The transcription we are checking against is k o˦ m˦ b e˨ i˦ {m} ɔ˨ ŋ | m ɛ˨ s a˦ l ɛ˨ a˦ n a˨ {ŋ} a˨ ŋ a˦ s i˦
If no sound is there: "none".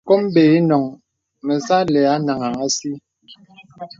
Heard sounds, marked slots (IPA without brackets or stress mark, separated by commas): n, ŋ